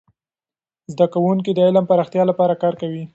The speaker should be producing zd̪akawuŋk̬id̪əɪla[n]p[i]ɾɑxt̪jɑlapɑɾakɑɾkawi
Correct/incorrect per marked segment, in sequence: incorrect: m, incorrect: a

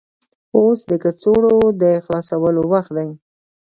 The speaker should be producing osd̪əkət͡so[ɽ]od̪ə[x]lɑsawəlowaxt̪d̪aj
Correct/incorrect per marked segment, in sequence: correct, correct

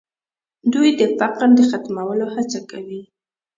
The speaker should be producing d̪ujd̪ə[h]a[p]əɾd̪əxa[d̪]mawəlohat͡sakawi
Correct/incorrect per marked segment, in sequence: incorrect: f, incorrect: q, incorrect: t̪

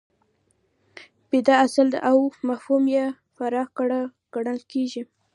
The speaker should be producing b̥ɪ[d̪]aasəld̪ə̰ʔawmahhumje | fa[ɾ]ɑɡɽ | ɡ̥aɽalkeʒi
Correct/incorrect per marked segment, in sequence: correct, correct

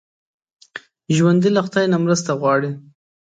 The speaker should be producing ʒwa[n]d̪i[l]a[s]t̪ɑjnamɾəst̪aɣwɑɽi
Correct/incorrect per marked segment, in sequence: correct, correct, incorrect: x

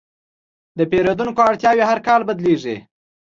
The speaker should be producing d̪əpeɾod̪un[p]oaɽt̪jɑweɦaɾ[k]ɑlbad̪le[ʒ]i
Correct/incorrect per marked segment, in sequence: incorrect: k, correct, incorrect: ʐ

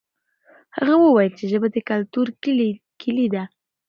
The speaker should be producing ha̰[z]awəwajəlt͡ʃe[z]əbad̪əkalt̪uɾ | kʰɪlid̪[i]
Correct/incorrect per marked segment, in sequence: incorrect: ɣ, incorrect: ʒ, incorrect: a

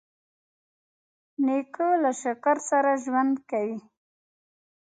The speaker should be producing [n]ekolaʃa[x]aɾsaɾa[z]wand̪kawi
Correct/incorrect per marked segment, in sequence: correct, incorrect: k, incorrect: ʒ

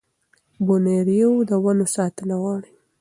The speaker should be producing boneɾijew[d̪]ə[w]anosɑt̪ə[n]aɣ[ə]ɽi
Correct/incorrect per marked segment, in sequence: correct, correct, correct, incorrect: ɑ

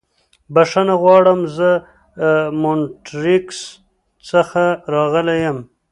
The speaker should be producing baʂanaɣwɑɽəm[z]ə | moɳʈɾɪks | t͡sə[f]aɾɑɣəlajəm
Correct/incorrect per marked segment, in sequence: correct, incorrect: x

